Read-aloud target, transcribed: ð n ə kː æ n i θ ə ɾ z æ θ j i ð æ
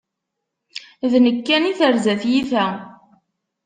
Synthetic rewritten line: ð n ə kː æ n i θ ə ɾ z æ θ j i θ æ